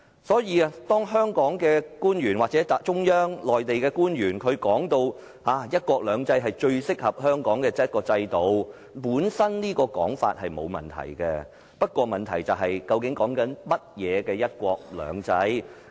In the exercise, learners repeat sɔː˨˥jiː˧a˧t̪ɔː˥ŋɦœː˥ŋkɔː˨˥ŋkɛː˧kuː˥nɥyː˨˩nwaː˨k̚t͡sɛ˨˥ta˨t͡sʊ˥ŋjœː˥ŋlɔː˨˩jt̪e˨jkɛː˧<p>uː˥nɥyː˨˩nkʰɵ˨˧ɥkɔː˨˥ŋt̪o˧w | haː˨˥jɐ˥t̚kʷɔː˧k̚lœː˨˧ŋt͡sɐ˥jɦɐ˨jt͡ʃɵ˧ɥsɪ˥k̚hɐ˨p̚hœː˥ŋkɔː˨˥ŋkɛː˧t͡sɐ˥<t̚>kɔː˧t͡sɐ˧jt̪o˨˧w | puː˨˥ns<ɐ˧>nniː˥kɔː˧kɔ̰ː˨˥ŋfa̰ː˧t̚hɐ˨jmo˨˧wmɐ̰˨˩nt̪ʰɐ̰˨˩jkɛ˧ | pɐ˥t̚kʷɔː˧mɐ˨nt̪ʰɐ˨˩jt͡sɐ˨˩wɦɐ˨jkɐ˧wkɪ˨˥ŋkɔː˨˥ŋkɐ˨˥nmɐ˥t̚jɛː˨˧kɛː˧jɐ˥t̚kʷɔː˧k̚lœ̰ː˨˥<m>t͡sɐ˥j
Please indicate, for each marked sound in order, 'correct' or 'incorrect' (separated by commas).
incorrect, correct, incorrect, incorrect